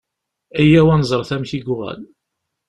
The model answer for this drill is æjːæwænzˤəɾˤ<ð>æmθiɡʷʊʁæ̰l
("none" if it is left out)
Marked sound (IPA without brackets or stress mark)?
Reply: θ